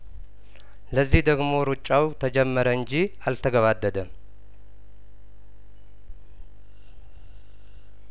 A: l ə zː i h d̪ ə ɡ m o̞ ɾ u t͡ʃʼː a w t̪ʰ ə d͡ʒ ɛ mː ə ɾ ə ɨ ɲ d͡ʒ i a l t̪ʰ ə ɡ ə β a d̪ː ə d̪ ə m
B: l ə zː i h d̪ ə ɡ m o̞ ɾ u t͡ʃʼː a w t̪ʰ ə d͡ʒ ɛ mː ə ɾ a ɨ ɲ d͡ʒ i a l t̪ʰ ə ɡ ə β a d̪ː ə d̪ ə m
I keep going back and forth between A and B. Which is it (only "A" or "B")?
A